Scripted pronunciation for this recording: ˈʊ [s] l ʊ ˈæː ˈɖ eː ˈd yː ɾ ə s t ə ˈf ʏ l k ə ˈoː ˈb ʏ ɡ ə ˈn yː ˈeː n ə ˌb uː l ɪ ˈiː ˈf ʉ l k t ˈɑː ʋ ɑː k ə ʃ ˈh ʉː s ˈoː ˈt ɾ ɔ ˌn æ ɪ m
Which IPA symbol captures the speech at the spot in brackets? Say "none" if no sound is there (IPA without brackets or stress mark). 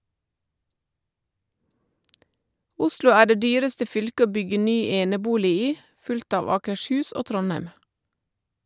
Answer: s